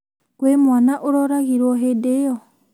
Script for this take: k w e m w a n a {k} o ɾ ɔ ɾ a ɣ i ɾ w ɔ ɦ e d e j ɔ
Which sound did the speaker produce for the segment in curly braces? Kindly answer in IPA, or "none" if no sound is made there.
ʔ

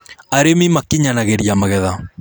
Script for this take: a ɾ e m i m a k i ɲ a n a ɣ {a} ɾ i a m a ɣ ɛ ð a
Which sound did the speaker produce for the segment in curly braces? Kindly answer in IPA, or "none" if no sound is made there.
e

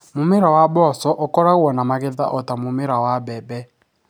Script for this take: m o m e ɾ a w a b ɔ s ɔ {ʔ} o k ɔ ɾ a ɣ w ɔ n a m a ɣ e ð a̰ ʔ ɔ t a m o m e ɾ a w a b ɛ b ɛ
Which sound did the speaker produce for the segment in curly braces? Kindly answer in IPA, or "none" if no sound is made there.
ʔ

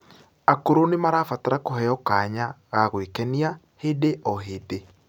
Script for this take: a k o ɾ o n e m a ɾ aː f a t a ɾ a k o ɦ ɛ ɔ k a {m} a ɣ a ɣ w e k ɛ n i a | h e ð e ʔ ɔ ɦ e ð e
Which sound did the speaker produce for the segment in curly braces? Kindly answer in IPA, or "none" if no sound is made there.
ɲ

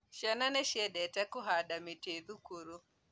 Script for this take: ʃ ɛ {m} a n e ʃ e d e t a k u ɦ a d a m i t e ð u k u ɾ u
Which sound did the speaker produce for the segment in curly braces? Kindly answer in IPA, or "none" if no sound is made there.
n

